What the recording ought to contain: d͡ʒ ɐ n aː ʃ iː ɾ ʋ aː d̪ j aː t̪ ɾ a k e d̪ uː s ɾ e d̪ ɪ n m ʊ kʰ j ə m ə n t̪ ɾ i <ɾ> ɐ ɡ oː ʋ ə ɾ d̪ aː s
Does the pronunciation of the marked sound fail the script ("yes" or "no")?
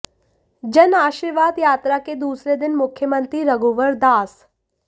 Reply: no